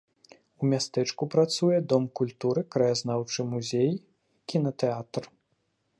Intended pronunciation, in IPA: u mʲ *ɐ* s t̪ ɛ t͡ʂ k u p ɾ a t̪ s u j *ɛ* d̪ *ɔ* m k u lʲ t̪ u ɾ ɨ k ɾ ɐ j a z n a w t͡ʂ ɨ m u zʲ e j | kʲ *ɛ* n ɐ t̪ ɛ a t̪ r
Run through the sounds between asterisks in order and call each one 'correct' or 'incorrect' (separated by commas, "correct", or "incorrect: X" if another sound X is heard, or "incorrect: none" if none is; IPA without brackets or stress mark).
incorrect: a, correct, correct, incorrect: i